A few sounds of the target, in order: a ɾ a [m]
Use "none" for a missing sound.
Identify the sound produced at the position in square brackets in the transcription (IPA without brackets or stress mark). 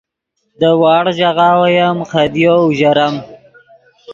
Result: m